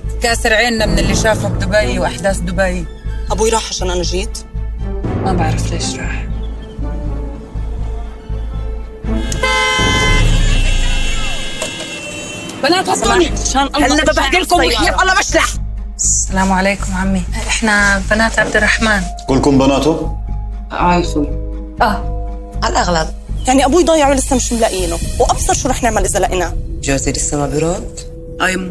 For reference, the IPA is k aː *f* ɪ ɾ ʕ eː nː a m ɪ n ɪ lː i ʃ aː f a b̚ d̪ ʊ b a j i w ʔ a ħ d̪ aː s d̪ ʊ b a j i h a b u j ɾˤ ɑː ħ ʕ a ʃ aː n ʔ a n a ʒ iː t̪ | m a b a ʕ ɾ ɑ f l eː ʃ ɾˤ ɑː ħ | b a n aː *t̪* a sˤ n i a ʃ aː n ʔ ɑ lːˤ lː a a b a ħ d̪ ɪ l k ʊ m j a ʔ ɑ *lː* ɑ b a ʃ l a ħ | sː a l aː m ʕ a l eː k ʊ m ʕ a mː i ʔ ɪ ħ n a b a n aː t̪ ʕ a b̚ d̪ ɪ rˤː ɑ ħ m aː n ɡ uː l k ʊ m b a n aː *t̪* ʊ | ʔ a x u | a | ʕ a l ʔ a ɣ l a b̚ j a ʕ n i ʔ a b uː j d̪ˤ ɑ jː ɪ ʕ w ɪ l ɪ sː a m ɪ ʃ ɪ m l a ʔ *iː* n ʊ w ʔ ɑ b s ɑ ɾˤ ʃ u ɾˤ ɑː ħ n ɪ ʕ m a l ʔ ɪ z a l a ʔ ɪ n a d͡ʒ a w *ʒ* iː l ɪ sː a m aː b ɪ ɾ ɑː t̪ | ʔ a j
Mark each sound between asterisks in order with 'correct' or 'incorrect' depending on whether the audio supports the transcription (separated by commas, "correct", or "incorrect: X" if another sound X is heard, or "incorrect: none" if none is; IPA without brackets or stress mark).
incorrect: s, correct, correct, correct, correct, incorrect: z